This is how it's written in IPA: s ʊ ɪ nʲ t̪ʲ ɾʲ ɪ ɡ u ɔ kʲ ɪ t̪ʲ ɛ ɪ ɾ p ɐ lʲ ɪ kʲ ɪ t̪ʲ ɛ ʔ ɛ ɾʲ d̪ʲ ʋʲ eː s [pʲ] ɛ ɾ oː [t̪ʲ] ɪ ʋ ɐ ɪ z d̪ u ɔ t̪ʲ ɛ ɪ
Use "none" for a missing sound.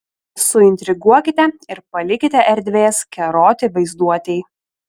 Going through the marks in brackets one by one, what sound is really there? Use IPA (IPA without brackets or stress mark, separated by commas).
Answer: kʲ, t̪ʲ